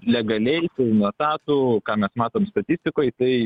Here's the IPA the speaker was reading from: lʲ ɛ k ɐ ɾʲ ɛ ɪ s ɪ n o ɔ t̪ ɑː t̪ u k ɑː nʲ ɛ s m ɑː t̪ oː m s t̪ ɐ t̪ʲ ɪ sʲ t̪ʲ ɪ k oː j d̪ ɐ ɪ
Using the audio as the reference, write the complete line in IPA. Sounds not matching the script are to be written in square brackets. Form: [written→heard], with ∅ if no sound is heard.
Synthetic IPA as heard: lʲ ɛ [k→ɡ] ɐ [ɾʲ→lʲ] ɛ ɪ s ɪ n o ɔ t̪ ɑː t̪ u k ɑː [nʲ→mʲ] ɛ s m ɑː t̪ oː m s t̪ ɐ t̪ʲ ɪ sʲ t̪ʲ ɪ k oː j [d̪→t̪] ɐ ɪ